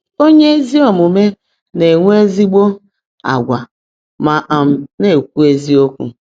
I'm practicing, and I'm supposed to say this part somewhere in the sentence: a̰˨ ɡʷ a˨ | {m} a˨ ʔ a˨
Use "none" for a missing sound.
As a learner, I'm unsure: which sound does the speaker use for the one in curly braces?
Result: m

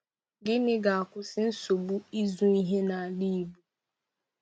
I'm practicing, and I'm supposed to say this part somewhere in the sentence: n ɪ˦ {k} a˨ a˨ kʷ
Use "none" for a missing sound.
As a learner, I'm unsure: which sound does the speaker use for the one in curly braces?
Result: ɡ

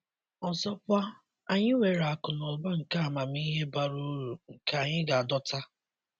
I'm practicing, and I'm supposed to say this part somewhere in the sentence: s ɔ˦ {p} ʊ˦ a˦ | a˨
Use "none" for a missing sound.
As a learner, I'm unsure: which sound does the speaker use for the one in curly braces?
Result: p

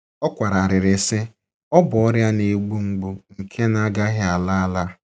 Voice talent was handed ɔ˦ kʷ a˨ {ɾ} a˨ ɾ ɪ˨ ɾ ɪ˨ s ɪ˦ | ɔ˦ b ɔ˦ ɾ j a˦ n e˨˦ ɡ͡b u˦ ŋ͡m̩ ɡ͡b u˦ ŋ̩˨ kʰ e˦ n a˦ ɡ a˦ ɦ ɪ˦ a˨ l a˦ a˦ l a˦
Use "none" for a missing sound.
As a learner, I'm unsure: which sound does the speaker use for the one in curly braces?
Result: ɾ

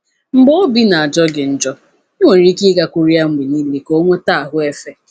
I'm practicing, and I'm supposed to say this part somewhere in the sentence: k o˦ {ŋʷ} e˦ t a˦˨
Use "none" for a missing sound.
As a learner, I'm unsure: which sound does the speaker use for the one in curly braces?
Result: ŋʷ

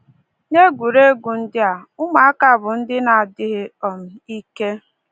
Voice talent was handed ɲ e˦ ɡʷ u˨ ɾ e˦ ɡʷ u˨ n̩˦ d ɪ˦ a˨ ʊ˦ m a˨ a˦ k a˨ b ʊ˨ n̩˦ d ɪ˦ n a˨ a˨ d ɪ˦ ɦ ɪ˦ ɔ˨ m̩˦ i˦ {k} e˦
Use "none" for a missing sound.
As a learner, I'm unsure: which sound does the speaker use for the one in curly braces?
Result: k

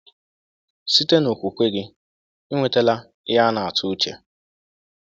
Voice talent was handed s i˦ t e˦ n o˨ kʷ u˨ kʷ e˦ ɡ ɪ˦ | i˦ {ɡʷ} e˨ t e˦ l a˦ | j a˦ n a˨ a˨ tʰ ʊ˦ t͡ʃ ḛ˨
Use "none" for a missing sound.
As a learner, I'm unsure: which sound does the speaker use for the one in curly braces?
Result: ŋʷ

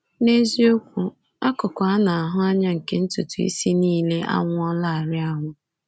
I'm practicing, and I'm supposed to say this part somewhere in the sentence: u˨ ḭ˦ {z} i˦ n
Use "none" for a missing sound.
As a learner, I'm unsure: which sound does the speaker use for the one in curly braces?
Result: s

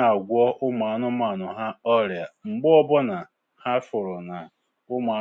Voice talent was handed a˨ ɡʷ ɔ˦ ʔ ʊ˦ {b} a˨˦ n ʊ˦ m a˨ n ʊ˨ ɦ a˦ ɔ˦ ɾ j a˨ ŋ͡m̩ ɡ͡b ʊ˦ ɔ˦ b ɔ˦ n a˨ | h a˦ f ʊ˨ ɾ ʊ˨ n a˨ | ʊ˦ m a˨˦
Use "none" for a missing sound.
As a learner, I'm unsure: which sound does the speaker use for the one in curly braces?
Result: m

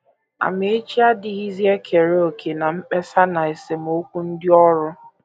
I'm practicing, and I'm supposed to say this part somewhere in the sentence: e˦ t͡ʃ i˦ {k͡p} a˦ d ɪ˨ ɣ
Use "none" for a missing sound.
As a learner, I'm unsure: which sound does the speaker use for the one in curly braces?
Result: none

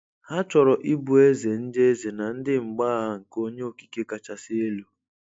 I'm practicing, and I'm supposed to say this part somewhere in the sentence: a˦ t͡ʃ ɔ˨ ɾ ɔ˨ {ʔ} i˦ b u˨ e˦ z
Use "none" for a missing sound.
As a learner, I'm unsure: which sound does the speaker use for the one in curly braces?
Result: ʔ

